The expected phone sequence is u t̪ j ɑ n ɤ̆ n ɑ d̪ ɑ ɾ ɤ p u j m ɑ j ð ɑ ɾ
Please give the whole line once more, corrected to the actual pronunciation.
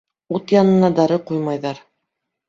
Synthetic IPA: u t̪ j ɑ n ɤ̆ n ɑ d̪ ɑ ɾ ɤ q u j m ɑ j ð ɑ ɾ